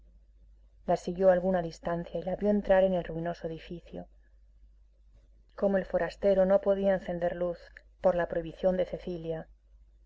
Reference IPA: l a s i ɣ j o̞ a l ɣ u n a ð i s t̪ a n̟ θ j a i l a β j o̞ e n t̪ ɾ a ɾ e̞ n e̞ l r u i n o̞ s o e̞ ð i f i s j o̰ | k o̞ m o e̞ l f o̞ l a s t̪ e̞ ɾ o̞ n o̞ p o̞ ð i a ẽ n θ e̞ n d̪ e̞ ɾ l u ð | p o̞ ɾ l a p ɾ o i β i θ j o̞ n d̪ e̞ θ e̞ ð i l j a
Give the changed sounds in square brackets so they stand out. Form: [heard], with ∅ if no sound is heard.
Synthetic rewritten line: l a s i ɣ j o̞ a l ɣ u n a ð i s t̪ a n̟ θ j a i l a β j o̞ e n t̪ ɾ a ɾ e̞ n e̞ l r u i n o̞ s o e̞ ð i f i [θ] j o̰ | k o̞ m o e̞ l f o̞ [ɾ] a s t̪ e̞ ɾ o̞ n o̞ p o̞ ð i a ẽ n θ e̞ n d̪ e̞ ɾ l u [θ] | p o̞ ɾ l a p ɾ o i β i θ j o̞ n d̪ e̞ θ e̞ [θ] i l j a